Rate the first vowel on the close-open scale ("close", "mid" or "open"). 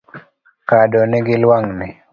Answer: open